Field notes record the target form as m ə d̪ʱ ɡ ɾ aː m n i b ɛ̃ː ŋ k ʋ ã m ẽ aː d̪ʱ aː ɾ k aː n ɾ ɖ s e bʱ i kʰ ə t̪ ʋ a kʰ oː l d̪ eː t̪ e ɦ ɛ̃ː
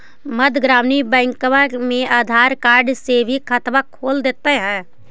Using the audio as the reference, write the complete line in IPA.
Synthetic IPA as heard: m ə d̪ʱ ɡ ɾ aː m n i b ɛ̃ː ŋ k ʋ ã m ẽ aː d̪ʱ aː ɾ k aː ɾ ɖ s e bʱ i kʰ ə t̪ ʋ a kʰ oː l d̪ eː t̪ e ɦ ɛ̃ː